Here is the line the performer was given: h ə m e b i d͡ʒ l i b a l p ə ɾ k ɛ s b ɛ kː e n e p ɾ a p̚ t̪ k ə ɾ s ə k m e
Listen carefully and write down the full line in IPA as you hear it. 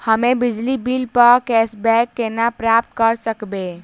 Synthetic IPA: h ə m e b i d͡ʒ l i b i l p ə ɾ k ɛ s b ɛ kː e n a p ɾ a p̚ t̪ k ə ɾ s ə k b e